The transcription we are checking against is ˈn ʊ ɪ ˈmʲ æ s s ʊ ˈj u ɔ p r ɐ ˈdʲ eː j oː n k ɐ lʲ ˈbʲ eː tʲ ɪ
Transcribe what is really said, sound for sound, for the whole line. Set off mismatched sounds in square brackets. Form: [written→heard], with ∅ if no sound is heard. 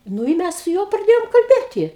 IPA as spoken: ˈn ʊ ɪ ˈmʲ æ s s ʊ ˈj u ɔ p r ɐ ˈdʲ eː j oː [n→m] k ɐ lʲ ˈbʲ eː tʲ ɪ